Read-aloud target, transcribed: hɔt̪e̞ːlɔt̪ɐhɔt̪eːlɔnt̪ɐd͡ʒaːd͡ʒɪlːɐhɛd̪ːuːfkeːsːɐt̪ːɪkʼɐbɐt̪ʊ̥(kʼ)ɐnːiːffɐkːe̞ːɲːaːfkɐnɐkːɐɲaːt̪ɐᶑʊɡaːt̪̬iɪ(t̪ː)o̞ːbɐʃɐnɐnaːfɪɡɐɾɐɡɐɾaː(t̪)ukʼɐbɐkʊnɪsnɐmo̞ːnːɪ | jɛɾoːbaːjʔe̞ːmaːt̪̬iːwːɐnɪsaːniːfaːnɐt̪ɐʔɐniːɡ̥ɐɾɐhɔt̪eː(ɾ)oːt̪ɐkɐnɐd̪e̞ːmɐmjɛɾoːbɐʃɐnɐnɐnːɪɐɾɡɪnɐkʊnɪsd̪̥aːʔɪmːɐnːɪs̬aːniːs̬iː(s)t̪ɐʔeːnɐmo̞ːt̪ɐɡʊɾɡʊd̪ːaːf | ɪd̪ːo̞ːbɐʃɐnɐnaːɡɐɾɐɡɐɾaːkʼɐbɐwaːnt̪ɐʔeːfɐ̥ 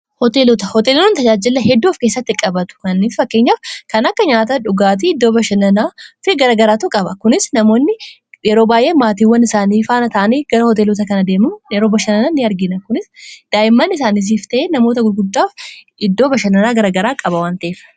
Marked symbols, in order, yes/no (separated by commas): no, no, yes, no, no